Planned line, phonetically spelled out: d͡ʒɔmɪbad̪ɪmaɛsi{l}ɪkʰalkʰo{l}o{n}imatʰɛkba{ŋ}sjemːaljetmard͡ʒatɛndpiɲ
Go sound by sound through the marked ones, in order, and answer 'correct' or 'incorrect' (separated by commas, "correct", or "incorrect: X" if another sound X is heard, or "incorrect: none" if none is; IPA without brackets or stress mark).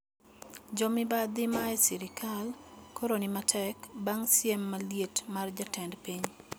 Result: incorrect: ɾ, incorrect: ɾ, correct, correct